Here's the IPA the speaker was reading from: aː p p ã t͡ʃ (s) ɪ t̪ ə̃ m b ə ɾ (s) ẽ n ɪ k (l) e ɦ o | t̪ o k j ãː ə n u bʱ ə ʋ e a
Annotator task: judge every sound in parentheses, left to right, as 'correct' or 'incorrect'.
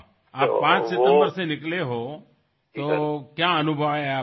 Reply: correct, correct, correct

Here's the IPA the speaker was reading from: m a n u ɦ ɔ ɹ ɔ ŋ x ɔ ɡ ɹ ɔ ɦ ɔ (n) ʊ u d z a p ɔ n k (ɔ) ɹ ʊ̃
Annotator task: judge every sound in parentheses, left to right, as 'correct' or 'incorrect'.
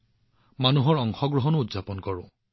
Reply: correct, correct

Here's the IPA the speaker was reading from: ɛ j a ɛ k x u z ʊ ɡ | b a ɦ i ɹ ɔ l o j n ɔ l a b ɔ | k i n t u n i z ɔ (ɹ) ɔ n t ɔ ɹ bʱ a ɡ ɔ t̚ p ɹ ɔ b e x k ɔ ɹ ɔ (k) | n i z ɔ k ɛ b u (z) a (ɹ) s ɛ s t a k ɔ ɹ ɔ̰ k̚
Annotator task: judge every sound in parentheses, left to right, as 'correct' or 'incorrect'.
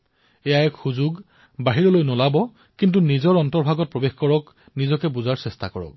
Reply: correct, correct, correct, correct

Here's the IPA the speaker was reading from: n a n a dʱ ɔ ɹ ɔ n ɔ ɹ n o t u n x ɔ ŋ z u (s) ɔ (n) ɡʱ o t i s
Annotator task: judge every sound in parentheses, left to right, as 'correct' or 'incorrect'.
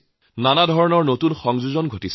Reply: incorrect: z, correct

